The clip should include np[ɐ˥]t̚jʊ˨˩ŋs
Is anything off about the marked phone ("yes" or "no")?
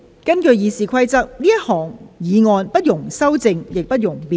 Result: no